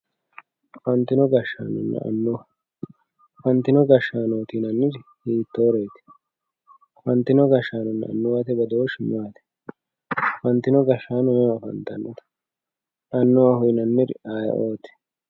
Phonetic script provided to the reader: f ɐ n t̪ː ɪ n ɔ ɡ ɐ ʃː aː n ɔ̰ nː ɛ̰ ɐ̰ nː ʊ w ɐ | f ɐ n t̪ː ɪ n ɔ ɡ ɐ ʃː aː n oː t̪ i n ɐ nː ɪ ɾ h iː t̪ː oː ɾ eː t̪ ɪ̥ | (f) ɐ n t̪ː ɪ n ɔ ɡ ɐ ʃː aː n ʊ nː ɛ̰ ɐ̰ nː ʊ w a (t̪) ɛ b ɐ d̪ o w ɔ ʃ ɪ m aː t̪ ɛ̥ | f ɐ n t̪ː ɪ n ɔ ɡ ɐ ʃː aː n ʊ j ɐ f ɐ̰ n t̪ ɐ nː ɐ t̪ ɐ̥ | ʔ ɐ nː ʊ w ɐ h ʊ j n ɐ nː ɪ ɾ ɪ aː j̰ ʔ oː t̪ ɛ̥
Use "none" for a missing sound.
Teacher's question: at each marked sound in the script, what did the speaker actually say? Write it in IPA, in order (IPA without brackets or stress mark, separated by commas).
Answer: f, t̪